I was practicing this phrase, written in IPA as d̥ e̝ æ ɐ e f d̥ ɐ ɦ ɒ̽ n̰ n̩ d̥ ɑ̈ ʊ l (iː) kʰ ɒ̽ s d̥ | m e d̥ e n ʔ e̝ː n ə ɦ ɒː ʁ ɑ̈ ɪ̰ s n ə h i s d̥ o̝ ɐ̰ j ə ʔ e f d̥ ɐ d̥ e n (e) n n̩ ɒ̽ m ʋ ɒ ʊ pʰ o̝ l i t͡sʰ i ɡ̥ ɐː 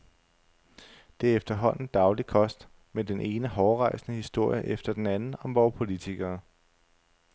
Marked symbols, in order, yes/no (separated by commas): no, no